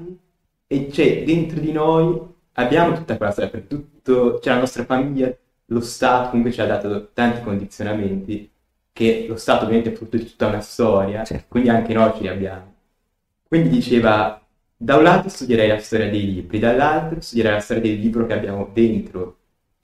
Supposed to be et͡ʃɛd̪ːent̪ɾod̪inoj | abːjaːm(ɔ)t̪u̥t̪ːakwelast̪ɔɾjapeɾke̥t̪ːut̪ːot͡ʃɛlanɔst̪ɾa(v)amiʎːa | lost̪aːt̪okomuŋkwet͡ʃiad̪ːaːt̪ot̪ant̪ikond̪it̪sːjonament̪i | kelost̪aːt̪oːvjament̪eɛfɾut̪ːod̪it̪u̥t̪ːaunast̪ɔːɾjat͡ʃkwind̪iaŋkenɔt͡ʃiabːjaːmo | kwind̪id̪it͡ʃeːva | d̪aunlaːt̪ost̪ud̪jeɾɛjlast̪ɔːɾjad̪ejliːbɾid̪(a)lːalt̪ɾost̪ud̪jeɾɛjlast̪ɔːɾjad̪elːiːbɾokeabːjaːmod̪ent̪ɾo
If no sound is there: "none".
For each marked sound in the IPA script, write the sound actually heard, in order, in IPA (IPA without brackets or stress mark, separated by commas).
o, f, a